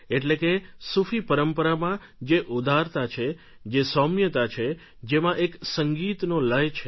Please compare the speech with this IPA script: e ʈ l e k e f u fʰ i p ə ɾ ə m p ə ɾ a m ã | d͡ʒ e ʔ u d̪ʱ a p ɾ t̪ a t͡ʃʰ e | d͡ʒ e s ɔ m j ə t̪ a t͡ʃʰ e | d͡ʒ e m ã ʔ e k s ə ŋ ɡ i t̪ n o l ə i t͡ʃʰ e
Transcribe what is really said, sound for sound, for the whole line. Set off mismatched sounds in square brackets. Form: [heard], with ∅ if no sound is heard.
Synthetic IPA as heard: e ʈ l e k e [s] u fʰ i p ə ɾ ə m p ə ɾ a m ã | d͡ʒ e ʔ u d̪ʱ a [∅] ɾ t̪ a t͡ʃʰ e | d͡ʒ e s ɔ m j ə t̪ a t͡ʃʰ e | d͡ʒ e m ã ʔ e k s ə ŋ ɡ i t̪ n o l ə [j] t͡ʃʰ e